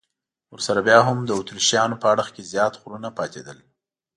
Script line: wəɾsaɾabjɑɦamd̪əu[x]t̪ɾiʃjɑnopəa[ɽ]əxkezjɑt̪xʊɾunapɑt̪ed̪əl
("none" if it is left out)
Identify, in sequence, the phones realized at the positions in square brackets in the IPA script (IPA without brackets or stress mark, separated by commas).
none, ɽ